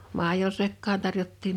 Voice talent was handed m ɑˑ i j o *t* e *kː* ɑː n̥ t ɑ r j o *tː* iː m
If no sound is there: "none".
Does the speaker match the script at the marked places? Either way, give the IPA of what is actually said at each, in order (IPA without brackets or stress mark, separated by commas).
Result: s, kː, tː